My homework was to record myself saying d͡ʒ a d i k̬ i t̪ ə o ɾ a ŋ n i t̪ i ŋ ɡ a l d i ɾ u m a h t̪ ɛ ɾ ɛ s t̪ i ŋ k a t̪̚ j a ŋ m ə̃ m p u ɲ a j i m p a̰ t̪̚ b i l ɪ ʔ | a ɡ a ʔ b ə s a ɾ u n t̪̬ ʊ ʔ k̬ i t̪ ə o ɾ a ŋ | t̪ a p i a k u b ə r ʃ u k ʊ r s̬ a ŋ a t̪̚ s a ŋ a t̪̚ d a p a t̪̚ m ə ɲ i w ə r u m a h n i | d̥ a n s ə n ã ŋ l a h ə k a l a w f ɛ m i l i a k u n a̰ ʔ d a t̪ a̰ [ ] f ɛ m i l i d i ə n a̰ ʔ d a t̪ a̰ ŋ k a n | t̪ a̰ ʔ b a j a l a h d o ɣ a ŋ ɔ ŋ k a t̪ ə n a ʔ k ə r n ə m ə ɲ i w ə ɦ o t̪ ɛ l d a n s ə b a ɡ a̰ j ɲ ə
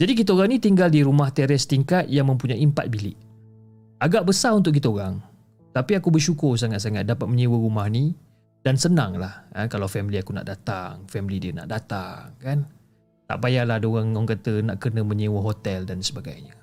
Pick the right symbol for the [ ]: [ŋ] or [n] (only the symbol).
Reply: ŋ